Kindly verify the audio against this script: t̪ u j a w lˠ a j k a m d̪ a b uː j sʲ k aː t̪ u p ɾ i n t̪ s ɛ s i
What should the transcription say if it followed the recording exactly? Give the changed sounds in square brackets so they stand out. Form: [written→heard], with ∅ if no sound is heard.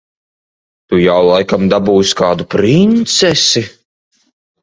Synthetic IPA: t̪ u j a w lˠ a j k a m d̪ a b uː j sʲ k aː [t̪→d̪] u p ɾ i n t̪ s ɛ s i